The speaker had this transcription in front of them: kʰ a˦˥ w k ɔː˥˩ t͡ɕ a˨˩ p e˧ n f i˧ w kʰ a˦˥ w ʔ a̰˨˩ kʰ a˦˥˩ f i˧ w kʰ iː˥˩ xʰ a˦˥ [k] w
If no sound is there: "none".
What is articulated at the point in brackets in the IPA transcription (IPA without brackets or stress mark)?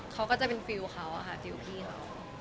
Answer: none